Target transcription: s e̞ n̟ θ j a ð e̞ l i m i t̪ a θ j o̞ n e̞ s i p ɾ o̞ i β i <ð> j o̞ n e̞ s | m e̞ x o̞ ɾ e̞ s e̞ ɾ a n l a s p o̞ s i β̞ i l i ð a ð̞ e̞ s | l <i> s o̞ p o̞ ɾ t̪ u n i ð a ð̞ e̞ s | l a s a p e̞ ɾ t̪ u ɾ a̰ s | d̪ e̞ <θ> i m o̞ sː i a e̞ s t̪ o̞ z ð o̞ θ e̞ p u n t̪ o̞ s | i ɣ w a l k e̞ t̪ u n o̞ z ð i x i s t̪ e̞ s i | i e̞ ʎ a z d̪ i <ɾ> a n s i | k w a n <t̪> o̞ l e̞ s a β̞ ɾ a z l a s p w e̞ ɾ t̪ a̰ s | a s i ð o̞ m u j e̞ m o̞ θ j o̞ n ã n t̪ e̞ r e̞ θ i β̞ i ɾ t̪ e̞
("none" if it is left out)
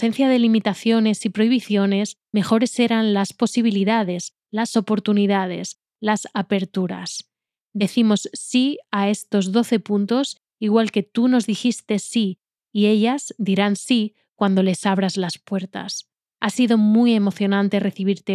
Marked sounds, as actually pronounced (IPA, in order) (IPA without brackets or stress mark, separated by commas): θ, a, θ, ɾ, d̪